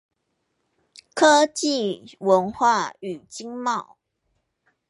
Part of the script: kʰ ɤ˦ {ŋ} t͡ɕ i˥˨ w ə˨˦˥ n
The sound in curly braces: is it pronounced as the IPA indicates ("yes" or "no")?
no